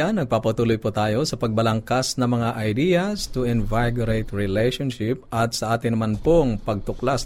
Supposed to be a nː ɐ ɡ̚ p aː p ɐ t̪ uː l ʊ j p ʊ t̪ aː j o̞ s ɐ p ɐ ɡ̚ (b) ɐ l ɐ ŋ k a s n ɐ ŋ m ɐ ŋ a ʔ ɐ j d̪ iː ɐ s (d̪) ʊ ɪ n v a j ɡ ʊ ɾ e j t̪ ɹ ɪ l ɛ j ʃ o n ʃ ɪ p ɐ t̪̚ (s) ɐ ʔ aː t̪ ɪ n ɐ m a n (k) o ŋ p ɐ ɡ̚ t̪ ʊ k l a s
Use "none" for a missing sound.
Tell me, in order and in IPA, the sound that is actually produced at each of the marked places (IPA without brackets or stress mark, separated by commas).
b, t̪, s, p